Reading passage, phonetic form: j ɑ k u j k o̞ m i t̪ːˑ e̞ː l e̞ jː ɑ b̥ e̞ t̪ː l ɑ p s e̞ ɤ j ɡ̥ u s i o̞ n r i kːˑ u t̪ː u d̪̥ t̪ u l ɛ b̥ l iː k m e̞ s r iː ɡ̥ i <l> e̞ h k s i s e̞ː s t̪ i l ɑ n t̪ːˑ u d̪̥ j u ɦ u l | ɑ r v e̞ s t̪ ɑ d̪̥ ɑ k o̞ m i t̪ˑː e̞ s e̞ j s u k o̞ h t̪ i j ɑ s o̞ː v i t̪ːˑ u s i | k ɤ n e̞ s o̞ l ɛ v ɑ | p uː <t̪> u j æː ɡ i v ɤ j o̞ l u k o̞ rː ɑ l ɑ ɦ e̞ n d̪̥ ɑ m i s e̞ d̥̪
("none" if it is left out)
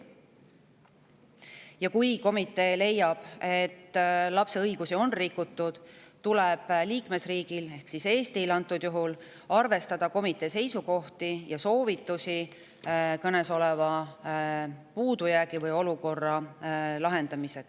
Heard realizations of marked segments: l, d̪

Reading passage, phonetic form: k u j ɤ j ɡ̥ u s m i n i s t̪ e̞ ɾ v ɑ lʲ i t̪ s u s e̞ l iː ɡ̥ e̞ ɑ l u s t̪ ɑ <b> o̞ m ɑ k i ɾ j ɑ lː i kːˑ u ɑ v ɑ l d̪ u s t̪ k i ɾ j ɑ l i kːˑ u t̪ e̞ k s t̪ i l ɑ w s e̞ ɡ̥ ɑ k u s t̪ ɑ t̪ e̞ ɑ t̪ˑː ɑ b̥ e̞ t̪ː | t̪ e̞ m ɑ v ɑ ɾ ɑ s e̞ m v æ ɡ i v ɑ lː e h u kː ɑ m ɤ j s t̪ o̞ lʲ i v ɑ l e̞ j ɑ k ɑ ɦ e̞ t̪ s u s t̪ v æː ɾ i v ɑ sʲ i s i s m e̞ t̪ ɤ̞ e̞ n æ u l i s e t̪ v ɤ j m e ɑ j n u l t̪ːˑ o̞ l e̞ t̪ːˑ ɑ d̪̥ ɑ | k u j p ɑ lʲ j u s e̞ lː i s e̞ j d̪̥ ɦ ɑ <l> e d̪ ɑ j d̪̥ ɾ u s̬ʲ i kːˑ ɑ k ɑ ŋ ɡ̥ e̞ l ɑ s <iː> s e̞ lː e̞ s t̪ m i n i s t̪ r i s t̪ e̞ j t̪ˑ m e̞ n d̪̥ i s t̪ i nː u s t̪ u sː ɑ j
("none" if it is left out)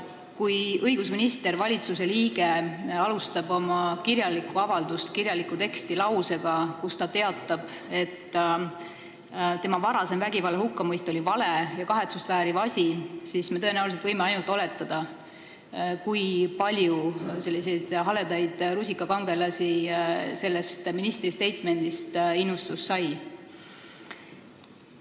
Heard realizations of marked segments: b, l, i

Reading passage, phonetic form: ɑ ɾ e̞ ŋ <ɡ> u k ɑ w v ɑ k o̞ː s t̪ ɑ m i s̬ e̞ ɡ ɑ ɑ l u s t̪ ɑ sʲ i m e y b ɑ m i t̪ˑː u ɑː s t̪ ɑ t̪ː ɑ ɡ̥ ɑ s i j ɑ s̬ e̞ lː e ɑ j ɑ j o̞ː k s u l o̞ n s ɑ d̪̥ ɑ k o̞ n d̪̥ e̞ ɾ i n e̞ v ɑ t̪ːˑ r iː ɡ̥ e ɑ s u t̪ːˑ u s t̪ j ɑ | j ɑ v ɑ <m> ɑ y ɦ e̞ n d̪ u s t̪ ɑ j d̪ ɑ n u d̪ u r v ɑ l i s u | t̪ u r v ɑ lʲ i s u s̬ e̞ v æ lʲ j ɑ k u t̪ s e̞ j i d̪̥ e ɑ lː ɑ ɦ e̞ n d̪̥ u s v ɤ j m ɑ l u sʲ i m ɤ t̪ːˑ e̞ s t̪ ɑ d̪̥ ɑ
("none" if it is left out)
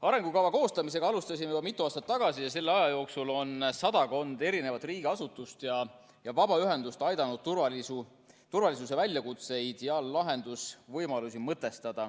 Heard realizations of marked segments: ɡ, b

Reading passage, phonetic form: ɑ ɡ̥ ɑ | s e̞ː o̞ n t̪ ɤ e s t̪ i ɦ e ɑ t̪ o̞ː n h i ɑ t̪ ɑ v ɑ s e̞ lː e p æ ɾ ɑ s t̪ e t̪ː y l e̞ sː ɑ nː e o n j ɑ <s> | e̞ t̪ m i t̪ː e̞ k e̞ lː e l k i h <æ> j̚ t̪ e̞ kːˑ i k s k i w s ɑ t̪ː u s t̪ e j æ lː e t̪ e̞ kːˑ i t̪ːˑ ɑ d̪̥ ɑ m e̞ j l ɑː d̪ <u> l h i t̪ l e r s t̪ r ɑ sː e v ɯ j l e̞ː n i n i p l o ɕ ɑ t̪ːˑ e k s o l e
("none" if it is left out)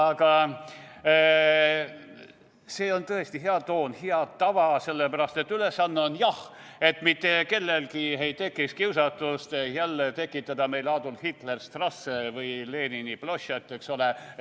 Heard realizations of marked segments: h, e, u

